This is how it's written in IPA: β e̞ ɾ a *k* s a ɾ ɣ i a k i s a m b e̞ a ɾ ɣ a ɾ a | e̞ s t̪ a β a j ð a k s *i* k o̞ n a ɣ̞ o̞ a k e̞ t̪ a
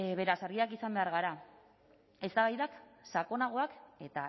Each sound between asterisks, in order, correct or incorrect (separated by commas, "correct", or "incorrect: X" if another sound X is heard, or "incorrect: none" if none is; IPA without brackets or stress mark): incorrect: none, incorrect: a